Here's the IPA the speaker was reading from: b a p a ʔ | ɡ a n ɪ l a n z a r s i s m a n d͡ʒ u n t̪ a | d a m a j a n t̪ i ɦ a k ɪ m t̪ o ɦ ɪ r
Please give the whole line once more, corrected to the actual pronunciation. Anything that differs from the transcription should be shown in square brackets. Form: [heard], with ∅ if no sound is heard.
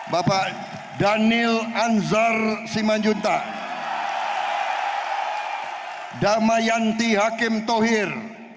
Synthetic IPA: b a p a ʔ | [d] a n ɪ l a n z a r s i [∅] m a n d͡ʒ u n t̪ a | d a m a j a n t̪ i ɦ a k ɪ m t̪ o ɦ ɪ r